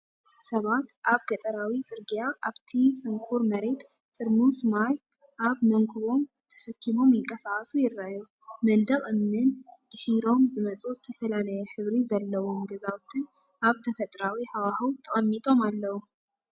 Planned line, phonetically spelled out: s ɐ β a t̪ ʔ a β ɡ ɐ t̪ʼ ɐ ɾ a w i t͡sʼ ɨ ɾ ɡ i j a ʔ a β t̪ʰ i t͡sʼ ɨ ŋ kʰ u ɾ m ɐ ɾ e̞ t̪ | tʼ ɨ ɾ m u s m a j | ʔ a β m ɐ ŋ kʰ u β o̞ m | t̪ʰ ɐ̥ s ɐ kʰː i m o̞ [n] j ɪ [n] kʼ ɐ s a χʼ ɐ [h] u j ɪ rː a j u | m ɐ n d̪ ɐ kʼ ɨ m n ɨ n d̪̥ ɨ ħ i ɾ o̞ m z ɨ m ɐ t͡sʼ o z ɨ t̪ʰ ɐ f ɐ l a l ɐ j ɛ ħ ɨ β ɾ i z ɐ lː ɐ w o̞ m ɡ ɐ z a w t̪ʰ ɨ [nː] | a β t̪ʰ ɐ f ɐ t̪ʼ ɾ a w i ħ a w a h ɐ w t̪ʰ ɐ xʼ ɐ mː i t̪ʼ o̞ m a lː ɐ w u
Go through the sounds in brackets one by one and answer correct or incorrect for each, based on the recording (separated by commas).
incorrect, incorrect, incorrect, incorrect